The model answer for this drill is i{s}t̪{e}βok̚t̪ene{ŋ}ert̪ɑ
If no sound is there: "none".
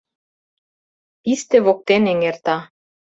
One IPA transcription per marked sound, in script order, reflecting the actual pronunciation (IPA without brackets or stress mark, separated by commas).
s, e, ŋ